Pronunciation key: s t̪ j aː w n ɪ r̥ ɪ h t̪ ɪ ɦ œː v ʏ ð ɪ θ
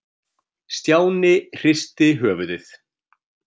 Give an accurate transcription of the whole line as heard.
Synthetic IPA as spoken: s t̪ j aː w n ɪ r̥ ɪ s t̪ ɪ ɦ œː v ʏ ð ɪ θ